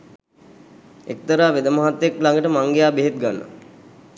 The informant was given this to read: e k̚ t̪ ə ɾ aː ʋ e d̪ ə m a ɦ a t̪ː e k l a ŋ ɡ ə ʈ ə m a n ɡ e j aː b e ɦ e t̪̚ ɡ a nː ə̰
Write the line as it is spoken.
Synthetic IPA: e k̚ t̪ ə ɾ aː ʋ e d̪ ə m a ɦ a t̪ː e k l a ŋ ɡ ə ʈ ə m a ŋ ɡ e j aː b e ɦ e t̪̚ ɡ a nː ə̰